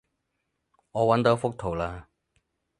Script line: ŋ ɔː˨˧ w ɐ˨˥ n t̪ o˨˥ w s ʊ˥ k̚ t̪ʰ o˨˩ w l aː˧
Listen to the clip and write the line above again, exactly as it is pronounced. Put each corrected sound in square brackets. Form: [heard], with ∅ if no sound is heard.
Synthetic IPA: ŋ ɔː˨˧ w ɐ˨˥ n t̪ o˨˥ w [f] ʊ˥ k̚ t̪ʰ o˨˩ w l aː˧